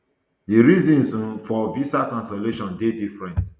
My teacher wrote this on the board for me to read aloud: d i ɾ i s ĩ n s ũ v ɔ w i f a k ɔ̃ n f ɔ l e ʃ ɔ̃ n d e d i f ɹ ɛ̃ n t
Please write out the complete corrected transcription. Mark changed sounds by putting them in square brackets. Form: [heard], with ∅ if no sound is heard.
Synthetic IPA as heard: d i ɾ i [z] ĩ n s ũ [f] ɔ [v] i [s] a k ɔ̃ n [s] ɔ l e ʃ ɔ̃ n d e d i f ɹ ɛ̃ n t